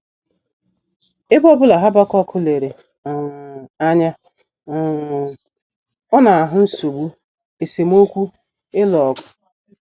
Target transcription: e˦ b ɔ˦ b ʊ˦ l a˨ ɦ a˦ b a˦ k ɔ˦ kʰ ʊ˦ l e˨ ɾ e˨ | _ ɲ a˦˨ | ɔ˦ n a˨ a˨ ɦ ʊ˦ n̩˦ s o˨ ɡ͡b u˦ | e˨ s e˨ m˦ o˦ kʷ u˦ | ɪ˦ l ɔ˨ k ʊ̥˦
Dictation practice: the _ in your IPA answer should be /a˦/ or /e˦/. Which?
a˦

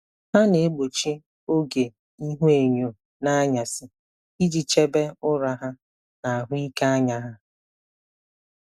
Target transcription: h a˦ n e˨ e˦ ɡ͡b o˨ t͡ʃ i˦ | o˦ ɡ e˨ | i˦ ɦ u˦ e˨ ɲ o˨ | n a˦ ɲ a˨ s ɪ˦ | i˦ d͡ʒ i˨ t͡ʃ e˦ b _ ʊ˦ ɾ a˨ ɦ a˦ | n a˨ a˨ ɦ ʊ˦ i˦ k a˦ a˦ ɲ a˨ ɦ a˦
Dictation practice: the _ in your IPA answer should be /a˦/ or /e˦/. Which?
e˦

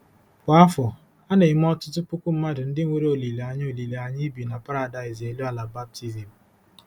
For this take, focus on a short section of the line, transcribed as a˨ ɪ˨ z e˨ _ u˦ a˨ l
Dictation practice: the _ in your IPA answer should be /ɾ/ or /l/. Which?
l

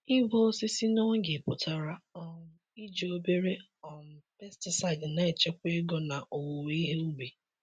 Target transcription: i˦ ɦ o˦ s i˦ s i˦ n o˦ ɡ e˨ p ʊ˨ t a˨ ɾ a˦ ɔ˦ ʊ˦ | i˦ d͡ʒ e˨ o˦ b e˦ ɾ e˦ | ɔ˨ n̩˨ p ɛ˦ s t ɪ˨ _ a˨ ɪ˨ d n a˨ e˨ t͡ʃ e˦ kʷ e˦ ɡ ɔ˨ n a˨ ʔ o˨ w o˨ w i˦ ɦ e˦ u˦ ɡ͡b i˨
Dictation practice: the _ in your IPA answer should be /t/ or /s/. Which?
s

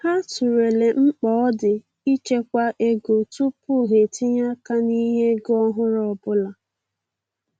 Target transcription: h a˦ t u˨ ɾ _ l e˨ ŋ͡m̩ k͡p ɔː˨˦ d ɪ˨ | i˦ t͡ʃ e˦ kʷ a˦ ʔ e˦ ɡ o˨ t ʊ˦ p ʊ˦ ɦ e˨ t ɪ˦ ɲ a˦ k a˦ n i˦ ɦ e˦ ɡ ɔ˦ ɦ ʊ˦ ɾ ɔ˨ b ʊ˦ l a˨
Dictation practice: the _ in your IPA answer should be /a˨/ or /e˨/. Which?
e˨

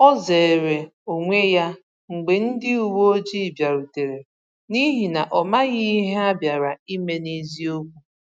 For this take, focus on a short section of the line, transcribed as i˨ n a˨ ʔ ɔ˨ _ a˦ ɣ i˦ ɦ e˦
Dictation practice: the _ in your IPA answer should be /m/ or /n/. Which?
m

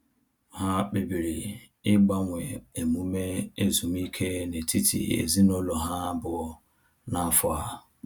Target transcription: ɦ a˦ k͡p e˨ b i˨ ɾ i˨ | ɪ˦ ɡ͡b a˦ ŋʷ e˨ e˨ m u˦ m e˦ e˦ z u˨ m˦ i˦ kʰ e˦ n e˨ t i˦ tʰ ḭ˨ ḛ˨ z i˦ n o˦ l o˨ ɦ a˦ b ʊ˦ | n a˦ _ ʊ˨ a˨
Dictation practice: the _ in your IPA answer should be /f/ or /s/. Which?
f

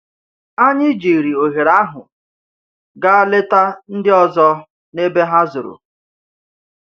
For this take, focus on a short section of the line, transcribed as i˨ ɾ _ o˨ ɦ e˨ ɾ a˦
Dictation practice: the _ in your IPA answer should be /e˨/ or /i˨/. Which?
i˨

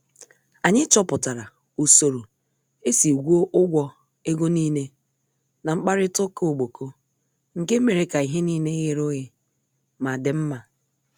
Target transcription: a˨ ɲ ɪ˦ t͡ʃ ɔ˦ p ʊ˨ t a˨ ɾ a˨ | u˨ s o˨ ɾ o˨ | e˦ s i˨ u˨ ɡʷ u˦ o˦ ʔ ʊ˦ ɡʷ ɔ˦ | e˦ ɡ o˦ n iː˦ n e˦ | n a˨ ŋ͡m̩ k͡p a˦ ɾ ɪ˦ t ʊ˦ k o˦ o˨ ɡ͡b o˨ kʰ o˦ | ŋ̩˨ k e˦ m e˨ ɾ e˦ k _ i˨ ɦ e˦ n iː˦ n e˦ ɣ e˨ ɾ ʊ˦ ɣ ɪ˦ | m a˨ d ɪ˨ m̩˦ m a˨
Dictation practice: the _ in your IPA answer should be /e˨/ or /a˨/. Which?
a˨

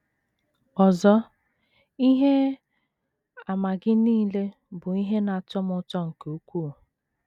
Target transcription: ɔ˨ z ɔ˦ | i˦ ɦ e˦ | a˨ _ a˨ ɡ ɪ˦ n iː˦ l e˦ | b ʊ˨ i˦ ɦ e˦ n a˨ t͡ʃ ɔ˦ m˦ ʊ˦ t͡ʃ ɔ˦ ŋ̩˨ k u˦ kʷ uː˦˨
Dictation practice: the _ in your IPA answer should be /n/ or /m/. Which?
m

